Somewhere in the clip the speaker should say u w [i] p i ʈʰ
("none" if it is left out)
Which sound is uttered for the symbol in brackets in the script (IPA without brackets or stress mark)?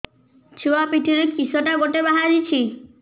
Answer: a